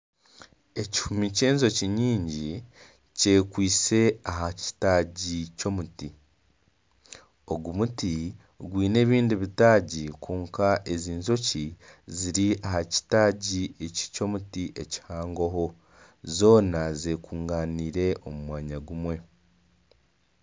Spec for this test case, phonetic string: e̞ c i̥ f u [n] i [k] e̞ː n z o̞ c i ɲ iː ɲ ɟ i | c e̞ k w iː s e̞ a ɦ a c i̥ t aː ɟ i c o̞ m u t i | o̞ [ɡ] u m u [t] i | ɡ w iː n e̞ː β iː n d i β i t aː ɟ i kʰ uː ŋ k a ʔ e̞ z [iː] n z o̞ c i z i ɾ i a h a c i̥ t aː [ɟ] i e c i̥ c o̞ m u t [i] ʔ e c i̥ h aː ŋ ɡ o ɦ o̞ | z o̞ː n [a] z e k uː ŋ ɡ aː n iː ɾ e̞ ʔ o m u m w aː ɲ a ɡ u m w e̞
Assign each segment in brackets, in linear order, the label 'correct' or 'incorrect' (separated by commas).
incorrect, incorrect, correct, correct, correct, correct, correct, correct